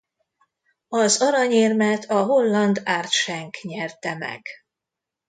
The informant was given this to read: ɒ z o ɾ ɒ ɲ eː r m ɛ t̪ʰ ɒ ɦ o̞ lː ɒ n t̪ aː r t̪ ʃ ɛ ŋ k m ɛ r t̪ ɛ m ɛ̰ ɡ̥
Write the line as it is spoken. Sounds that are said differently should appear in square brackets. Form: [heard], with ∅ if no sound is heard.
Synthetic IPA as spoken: ɒ z [ɒ] ɾ ɒ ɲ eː r m ɛ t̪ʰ ɒ ɦ o̞ lː ɒ n [d̪] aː r t̪ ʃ ɛ ŋ k [ɲ] ɛ r t̪ ɛ m ɛ̰ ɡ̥